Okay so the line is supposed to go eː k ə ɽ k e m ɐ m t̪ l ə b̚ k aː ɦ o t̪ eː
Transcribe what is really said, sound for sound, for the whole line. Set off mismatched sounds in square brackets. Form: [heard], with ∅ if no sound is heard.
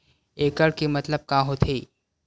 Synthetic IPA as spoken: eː k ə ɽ k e m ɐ [∅] t̪ l ə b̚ k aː ɦ o [t̪ʰ] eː

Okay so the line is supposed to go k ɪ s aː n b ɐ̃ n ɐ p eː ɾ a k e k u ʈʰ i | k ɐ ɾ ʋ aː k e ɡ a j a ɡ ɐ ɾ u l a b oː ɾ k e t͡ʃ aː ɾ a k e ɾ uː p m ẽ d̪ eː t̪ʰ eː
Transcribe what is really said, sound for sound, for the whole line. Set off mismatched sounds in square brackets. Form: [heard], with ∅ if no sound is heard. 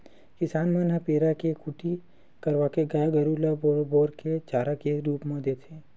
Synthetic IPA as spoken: k ɪ s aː n [m] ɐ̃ n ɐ p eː ɾ a k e k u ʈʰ i | k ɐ ɾ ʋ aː k e ɡ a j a ɡ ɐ ɾ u l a b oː ɾ k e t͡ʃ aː ɾ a k e ɾ uː p m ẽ d̪ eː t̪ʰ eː

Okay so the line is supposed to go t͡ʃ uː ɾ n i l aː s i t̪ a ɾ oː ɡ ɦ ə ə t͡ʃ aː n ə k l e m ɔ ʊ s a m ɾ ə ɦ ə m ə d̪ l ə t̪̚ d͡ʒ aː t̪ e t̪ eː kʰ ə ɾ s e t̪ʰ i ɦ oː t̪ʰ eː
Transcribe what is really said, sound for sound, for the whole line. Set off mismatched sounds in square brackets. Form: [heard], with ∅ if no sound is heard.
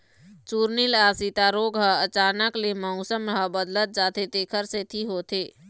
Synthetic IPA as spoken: t͡ʃ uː ɾ n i l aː s i t̪ a ɾ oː ɡ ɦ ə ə t͡ʃ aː n ə k l e m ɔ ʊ s [ə] m ɾ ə ɦ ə [b] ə d̪ l ə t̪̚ d͡ʒ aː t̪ e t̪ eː kʰ ə ɾ s e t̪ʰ i ɦ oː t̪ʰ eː

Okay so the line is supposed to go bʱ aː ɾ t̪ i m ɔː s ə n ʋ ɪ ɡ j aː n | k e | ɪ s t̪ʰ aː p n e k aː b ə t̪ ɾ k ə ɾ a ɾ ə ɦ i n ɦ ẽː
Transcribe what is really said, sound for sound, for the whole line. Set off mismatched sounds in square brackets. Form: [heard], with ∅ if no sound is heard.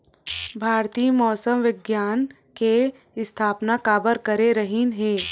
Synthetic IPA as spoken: bʱ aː ɾ t̪ i m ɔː s ə [m] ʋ ɪ ɡ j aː n | k e | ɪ s t̪ʰ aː p n [a] k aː b ə [∅] ɾ k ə ɾ [e] ɾ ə ɦ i n ɦ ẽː

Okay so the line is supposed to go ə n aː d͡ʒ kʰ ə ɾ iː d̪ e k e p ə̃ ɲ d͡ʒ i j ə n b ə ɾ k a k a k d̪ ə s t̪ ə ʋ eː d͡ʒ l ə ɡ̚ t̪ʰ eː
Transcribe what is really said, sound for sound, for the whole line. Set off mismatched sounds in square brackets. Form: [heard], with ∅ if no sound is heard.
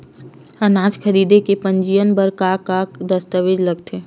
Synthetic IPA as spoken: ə n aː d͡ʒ kʰ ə ɾ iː d̪ e k e p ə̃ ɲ d͡ʒ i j ə n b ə ɾ k a k a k d̪ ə s t̪ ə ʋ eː d͡ʒ l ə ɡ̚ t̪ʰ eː

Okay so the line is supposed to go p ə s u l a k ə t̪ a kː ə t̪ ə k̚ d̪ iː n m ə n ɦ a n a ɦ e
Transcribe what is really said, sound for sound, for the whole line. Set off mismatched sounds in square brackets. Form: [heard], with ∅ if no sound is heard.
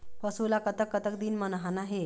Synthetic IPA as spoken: p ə s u l a k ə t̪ [ə] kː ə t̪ ə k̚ d̪ iː n m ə n ɦ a n a ɦ e

